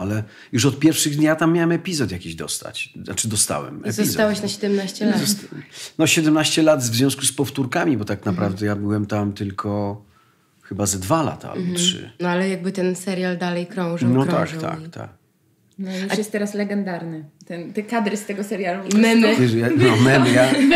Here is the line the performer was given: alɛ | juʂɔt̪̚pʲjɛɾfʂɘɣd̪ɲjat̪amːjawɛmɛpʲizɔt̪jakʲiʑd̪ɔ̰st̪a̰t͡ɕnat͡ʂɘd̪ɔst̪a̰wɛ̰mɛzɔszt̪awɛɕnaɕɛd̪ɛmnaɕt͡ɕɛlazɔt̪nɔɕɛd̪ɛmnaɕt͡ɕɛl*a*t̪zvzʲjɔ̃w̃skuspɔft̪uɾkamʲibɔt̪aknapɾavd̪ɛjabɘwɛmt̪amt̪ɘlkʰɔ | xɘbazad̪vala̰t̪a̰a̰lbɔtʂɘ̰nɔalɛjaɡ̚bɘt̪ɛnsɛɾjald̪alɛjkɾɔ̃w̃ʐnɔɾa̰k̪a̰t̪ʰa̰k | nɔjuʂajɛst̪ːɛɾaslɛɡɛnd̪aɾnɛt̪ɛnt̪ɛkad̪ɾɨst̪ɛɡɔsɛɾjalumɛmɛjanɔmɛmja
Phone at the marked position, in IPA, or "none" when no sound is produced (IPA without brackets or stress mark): a